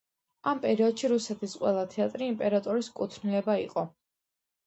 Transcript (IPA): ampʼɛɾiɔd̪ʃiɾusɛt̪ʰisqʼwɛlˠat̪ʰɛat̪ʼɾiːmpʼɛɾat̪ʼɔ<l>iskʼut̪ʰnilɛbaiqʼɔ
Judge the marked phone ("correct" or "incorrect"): incorrect